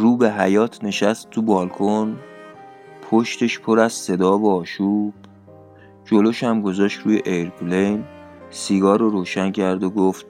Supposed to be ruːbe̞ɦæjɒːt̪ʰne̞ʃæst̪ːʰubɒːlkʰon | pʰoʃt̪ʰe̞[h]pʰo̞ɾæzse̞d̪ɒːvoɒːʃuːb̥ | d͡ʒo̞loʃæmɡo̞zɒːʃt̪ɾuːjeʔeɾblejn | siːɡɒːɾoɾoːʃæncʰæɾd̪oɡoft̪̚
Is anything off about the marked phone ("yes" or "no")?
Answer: yes